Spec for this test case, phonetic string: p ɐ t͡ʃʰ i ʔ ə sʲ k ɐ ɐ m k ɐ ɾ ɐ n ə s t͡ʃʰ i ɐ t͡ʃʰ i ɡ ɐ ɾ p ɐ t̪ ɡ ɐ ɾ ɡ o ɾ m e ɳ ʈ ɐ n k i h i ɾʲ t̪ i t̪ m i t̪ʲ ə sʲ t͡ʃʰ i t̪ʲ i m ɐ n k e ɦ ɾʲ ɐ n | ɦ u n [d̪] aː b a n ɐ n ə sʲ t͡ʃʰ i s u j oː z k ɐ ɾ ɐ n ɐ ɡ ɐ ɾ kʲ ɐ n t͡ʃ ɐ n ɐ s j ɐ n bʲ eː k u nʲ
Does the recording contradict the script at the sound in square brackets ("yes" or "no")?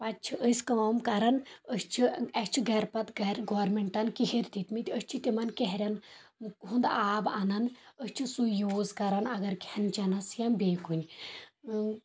no